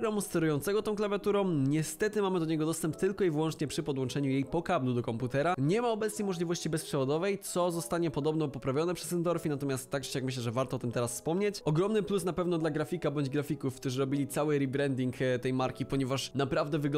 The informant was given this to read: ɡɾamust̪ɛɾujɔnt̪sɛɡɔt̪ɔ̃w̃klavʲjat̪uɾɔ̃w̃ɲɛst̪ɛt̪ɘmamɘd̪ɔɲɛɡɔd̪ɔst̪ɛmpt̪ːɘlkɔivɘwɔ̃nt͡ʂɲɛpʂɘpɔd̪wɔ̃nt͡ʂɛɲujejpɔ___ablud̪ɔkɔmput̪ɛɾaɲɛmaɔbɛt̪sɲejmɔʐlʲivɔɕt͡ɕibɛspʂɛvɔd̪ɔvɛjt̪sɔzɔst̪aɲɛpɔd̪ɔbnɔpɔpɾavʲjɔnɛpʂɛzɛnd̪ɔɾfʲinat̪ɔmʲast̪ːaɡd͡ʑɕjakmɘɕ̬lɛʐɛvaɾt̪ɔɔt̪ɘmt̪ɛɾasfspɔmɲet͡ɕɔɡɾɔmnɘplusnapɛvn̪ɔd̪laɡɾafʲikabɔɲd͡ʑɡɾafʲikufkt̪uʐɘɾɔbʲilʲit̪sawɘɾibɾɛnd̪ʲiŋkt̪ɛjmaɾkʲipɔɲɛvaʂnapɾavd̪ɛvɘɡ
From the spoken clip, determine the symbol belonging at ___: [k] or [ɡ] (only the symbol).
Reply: k